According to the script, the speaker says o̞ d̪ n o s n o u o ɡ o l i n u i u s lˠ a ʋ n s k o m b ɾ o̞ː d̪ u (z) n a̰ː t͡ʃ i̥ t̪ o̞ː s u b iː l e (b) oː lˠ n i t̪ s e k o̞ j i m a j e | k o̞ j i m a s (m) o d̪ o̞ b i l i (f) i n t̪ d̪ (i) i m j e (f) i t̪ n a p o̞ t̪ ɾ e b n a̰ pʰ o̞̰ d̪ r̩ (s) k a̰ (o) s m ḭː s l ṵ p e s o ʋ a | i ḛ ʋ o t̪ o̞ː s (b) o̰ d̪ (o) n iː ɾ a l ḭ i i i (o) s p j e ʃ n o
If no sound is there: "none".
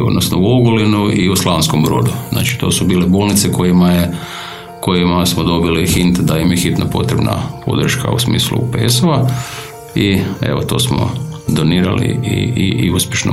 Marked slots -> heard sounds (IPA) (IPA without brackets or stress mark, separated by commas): z, b, m, x, a, x, ʃ, u, m, o, u